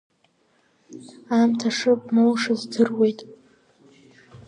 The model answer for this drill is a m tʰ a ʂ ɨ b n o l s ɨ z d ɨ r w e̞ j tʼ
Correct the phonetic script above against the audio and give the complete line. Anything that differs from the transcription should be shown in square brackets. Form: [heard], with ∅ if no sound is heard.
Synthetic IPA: a m tʰ a ʂ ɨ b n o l [ʂ] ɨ z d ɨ r w e̞ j tʼ